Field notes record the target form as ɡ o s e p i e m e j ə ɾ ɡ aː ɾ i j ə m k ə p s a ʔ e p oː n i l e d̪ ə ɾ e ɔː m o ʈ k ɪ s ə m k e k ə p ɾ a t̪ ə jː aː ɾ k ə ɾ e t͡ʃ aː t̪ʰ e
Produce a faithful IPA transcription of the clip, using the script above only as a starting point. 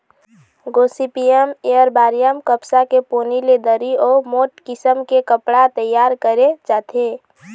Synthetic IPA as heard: ɡ o s i p i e m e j ə ɾ b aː ɾ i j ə m k ə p s a k e p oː n i l e d̪ ə ɾ i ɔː m o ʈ k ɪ s ə m k e k ə p ɽ a t̪ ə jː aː ɾ k ə ɾ e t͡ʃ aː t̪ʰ e